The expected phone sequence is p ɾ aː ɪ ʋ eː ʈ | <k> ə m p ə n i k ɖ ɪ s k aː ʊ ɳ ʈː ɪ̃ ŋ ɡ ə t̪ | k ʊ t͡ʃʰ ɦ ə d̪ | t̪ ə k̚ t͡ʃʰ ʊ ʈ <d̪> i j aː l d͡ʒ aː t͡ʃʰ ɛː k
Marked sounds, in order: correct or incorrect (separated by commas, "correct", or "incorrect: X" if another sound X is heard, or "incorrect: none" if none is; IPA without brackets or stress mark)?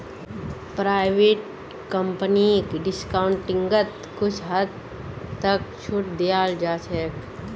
correct, correct